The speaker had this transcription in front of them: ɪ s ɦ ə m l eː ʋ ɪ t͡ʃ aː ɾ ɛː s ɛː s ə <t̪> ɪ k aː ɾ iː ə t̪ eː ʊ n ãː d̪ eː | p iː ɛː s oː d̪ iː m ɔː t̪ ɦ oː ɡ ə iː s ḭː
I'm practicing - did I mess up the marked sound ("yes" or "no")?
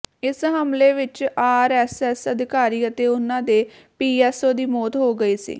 yes